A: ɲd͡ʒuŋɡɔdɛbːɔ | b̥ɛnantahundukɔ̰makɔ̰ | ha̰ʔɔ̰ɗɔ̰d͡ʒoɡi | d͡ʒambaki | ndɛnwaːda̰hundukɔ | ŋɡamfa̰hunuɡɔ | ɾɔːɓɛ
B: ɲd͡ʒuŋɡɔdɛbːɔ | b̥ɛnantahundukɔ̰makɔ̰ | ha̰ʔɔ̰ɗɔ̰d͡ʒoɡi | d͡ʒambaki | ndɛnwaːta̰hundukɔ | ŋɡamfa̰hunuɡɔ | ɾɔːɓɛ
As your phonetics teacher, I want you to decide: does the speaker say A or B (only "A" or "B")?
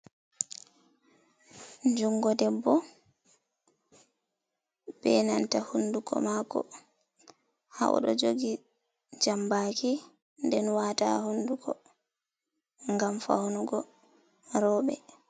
B